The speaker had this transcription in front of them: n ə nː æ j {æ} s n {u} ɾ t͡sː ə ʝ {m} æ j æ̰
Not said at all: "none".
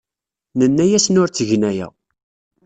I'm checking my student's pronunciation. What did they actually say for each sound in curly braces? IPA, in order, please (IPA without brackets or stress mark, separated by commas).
æ, ʊ, n